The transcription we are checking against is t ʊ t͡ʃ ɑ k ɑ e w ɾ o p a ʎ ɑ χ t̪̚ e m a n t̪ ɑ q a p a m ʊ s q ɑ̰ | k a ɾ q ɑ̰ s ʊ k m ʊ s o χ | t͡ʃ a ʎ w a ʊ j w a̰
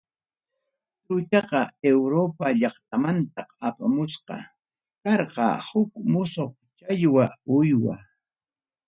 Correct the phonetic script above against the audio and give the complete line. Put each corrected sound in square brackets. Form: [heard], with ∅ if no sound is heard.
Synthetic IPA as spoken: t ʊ t͡ʃ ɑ [q] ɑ e w ɾ o p a ʎ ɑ χ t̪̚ [a] m a n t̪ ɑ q a p a m ʊ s q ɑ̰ | k [ɑ] ɾ q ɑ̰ [h] ʊ k m ʊ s o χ | t͡ʃ a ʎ w a ʊ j w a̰